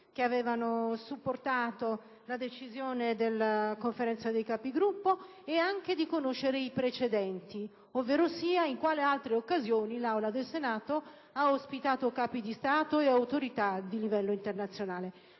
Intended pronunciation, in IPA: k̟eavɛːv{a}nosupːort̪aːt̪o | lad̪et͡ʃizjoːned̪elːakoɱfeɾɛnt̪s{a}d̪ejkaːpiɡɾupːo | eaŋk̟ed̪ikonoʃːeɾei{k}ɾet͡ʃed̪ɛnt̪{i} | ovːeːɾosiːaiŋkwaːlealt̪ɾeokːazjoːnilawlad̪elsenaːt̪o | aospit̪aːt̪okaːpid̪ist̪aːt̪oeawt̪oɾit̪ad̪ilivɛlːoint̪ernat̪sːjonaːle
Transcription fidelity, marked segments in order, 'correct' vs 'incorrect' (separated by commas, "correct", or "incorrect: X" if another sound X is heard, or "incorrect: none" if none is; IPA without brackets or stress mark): correct, correct, incorrect: p, correct